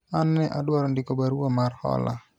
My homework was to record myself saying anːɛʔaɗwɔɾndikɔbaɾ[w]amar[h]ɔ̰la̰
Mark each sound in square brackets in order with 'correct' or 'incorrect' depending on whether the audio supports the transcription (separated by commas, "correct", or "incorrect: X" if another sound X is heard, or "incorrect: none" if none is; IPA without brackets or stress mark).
incorrect: u, correct